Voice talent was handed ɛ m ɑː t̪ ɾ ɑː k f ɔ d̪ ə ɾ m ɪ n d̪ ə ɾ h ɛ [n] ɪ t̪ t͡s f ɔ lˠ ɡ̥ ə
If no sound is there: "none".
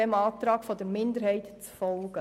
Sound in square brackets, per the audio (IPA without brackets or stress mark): none